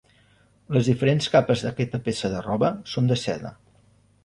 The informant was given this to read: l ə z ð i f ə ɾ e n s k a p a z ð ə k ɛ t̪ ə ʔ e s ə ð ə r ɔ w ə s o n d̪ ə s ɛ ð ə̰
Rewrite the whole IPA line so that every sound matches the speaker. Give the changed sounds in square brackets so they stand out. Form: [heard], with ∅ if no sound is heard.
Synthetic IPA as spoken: l ə z ð i f ə ɾ e n s k a p [ə] z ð ə k ɛ t̪ ə [p] e s ə ð ə r ɔ [β] ə s o n d̪ ə s ɛ ð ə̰